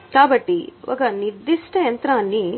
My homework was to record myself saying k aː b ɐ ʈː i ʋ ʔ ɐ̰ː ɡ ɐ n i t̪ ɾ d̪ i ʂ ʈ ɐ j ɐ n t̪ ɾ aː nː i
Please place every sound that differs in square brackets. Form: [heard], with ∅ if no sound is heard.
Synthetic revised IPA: k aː b ɐ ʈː i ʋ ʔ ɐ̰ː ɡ ɐ n i [∅] ɾ d̪ i ʂ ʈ ɐ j ɐ n t̪ ɾ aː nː i